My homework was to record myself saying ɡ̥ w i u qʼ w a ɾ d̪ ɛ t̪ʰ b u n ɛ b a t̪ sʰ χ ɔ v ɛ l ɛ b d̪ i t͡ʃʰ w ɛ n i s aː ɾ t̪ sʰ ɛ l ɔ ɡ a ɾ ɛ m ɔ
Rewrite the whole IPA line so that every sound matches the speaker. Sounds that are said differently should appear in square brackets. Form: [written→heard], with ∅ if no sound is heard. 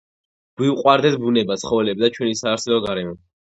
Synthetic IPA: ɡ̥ w i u qʼ w a ɾ d̪ ɛ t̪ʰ b u n ɛ b a t̪ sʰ χ ɔ v ɛ l ɛ b d̪ [i→a] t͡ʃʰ w ɛ n i s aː ɾ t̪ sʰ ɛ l ɔ ɡ a ɾ ɛ m ɔ